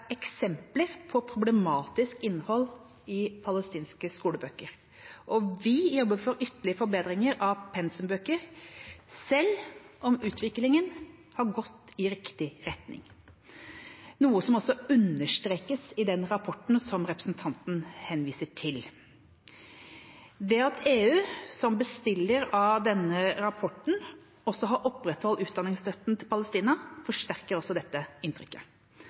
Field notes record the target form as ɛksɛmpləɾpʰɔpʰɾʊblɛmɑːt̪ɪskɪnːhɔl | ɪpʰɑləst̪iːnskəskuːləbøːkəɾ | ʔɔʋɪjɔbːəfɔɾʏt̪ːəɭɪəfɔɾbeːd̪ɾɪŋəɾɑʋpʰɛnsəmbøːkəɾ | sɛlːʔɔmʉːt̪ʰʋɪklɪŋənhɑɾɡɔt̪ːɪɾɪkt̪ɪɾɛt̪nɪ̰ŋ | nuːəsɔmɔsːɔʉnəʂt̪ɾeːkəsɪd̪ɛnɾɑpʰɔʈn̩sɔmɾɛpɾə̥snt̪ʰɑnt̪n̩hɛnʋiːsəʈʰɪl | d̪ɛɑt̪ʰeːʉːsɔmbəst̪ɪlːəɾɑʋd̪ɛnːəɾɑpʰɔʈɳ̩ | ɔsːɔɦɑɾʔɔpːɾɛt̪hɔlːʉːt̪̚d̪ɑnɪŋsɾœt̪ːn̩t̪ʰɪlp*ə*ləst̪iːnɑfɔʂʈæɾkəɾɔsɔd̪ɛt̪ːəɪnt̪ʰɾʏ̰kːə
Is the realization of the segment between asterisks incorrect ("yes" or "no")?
yes